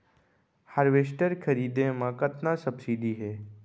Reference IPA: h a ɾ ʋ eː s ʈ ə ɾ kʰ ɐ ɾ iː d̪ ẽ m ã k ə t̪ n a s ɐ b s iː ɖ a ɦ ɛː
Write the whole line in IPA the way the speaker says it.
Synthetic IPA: h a ɾ ʋ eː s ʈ ə ɾ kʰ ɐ ɾ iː d̪ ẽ m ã k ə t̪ n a s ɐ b s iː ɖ i ɦ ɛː

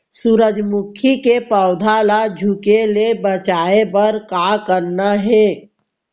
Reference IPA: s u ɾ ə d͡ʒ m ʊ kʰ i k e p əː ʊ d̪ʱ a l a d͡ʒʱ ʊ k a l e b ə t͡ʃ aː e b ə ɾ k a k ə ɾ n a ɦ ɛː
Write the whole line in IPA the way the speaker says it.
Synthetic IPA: s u ɾ ə d͡ʒ m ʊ kʰ i k e p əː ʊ d̪ʱ a l a d͡ʒʱ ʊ k e l e b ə t͡ʃ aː e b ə ɾ k a k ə ɾ n a ɦ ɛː

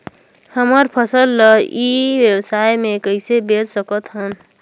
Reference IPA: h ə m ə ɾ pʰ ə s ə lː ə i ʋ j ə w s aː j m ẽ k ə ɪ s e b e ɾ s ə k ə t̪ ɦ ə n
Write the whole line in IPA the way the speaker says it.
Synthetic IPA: h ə m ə ɾ pʰ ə s ə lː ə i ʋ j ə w s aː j m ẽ k ə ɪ s e b e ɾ s ə k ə t̪ ɦ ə n

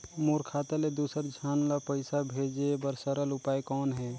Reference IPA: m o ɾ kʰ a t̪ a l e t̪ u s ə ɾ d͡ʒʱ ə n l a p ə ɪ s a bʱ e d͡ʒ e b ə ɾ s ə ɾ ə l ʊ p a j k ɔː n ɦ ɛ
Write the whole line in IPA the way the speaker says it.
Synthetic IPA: m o ɾ kʰ a t̪ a l e d̪ u s ə ɾ d͡ʒʱ a n l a p ə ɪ s a bʱ e d͡ʒ e b ə ɾ s ə ɾ ə l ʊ p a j k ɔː n ɦ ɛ

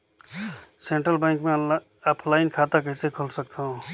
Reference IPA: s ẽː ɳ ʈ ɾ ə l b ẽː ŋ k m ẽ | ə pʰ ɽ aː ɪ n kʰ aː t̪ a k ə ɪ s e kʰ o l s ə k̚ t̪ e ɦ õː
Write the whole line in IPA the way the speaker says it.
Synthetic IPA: s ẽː ɳ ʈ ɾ ə l b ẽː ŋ k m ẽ | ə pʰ l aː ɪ n kʰ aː t̪ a k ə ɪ s e kʰ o l s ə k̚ t̪ a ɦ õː

